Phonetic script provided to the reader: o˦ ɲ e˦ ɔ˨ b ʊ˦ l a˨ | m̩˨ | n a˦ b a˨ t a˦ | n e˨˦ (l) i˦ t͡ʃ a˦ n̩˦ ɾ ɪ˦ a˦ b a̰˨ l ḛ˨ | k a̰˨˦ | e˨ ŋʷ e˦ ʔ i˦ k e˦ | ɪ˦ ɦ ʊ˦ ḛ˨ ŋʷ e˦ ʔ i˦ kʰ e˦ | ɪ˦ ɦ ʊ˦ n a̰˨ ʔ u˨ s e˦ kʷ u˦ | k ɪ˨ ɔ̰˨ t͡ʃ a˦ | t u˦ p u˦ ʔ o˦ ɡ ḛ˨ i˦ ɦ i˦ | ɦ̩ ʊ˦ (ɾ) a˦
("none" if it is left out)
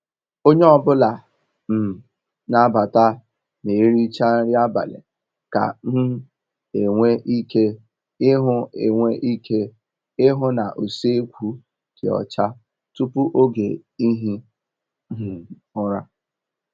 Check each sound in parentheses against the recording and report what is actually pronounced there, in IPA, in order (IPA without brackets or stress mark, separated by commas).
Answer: ɾ, ɾ